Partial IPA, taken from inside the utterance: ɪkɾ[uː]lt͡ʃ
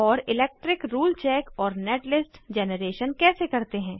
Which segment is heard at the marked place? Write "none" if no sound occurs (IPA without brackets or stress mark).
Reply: uː